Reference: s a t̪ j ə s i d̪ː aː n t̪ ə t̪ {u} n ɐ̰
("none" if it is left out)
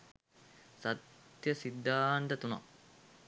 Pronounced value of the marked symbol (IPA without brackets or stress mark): u